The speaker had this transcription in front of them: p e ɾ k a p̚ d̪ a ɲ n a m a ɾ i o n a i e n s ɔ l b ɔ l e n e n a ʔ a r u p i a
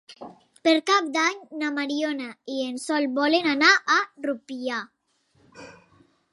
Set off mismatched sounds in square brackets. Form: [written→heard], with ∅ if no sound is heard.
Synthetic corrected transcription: p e ɾ k a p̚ d̪ a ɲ n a m a ɾ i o n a i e n s ɔ l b ɔ l e n [e→a] n a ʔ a r u p i a